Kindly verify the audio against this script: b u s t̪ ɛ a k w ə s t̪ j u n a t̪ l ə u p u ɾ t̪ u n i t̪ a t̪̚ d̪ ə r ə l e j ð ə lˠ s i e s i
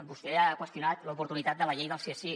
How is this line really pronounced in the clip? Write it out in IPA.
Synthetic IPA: b u s t̪ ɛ a k w ə s t̪ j u n a t̪ l ə u p u ɾ t̪ u n i t̪ a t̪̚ d̪ ə l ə ʎ e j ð ə lˠ s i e s i